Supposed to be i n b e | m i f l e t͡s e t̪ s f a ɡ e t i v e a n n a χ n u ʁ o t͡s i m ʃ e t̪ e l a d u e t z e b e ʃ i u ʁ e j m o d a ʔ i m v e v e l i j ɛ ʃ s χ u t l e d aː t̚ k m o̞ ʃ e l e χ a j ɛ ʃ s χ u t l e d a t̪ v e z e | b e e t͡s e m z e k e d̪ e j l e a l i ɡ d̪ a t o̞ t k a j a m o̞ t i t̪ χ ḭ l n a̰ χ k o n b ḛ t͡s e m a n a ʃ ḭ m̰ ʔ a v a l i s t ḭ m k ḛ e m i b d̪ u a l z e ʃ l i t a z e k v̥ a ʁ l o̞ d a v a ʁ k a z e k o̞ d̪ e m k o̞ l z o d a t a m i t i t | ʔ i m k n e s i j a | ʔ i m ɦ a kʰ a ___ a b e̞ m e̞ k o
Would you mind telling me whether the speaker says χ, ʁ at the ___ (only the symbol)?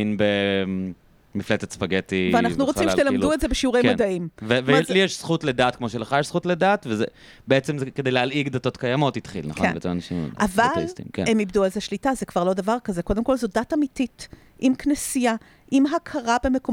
ʁ